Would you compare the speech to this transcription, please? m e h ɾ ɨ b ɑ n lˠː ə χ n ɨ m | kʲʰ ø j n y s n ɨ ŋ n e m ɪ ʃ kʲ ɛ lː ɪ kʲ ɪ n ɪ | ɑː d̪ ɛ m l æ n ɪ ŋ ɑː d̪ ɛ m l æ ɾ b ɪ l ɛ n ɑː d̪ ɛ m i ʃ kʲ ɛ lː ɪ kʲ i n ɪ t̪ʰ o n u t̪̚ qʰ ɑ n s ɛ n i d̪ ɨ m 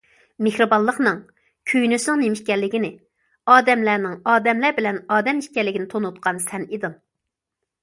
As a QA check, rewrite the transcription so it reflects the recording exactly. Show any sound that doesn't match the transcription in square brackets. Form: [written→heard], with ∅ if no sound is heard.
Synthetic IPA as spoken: m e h ɾ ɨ b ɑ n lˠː ə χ n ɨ [m→ŋ] | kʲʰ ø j n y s n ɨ ŋ n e m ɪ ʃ kʲ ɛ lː ɪ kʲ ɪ n ɪ | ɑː d̪ ɛ m l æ n ɪ ŋ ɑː d̪ ɛ m l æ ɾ b ɪ l ɛ n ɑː d̪ ɛ m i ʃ kʲ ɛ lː ɪ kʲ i n ɪ t̪ʰ o n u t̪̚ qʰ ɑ n s ɛ n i d̪ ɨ [m→ŋ]